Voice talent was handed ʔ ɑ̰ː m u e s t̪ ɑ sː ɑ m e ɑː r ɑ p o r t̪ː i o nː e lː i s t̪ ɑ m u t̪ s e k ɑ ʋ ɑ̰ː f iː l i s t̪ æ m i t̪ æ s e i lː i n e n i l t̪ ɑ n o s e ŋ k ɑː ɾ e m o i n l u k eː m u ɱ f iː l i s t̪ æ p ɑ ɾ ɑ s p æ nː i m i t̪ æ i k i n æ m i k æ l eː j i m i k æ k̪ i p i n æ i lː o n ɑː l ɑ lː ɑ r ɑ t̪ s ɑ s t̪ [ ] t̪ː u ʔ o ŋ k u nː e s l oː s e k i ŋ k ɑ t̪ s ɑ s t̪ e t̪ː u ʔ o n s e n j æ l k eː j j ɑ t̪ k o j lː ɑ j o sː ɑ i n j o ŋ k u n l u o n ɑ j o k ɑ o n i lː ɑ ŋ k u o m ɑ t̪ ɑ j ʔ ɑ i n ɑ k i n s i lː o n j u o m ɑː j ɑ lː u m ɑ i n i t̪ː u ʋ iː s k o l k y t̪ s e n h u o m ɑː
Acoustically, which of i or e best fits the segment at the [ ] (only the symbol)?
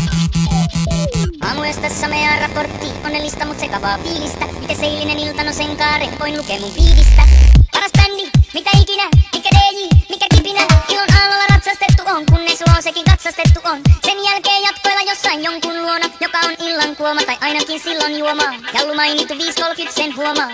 e